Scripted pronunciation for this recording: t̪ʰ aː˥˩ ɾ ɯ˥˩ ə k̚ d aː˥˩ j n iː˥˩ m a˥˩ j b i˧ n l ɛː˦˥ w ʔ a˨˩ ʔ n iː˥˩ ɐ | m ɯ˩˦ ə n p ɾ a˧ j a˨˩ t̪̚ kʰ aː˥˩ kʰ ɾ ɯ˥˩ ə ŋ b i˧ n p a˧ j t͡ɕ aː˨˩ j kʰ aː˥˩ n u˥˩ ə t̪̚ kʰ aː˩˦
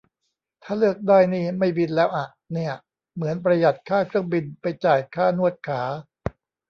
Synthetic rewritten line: t̪ʰ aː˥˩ l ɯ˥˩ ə k̚ d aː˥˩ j n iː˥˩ m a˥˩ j b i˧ n l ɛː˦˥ w ʔ a˨˩ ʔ n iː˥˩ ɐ | m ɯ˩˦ ə n p ɾ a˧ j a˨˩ t̪̚ kʰ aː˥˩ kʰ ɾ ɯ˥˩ ə ŋ b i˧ n p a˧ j t͡ɕ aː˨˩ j kʰ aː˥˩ n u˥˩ ə t̪̚ kʰ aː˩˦